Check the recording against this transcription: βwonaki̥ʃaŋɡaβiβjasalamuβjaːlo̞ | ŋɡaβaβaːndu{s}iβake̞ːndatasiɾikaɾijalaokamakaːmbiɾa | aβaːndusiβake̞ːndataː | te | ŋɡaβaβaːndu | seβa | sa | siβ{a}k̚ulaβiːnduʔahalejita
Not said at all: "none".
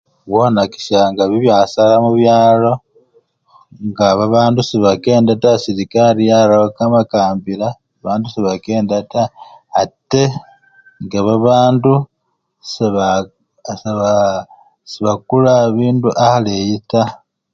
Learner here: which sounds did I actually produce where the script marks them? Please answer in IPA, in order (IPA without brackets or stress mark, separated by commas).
s, a